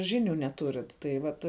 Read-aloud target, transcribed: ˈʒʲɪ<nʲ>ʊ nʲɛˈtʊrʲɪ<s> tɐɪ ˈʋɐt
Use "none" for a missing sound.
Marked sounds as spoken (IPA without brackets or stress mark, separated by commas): nʲ, t